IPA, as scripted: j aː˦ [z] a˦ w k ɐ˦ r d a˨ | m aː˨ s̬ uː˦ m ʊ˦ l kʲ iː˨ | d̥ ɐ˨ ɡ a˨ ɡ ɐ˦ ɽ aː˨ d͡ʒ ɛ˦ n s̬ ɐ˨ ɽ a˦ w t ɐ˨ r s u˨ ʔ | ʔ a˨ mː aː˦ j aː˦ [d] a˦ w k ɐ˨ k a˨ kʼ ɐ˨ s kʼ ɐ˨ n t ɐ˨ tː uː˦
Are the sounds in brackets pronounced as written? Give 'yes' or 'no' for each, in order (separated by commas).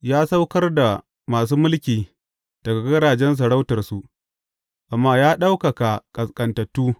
no, no